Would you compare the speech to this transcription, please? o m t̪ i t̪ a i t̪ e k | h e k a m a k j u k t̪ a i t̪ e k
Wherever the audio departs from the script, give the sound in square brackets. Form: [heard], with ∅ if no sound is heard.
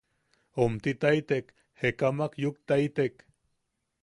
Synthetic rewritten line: o m t̪ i t̪ a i t̪ e k | h e k a m a k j u k t̪ a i t̪ e k